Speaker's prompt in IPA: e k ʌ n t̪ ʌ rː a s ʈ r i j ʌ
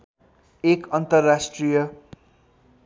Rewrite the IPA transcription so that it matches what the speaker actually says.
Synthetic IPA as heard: e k ʌ n t̪ ʌ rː a s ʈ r i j ʌ